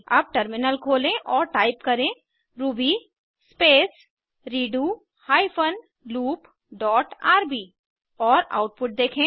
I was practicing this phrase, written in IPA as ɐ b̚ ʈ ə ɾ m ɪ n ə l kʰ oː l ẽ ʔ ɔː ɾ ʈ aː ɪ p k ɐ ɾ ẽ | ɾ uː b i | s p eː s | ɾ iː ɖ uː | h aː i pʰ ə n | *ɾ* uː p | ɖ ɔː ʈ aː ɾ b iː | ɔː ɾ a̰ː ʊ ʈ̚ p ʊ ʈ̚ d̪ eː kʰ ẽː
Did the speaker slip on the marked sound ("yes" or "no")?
yes